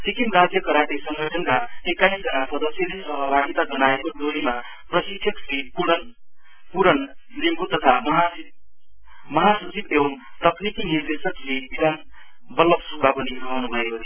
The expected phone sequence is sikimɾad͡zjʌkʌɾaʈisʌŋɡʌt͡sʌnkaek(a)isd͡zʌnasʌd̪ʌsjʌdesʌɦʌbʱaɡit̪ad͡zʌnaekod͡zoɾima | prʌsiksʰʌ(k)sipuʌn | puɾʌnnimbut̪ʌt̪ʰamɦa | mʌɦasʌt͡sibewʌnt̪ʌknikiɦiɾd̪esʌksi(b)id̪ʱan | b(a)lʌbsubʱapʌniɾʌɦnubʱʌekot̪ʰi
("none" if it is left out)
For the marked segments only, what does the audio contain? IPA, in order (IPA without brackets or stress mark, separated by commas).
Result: a, k, b, ʌ